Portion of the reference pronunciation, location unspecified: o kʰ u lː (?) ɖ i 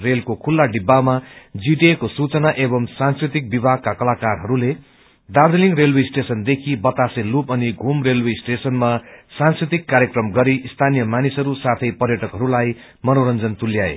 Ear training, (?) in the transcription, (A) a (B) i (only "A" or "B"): A